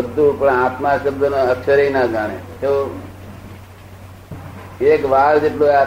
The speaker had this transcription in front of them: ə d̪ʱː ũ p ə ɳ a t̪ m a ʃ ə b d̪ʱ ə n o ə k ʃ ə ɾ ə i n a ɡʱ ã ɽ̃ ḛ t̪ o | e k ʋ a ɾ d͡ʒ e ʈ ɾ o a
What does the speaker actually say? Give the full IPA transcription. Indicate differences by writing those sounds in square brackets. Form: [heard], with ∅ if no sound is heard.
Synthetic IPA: ə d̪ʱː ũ p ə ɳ a t̪ m a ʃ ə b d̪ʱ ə n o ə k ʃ ə ɾ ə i n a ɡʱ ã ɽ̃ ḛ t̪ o | e k ʋ a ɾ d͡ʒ e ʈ [l] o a